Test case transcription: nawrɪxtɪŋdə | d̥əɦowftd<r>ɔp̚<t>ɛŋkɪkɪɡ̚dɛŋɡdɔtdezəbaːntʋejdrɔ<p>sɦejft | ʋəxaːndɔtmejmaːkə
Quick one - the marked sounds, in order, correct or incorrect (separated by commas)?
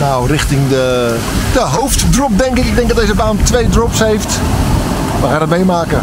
correct, incorrect, correct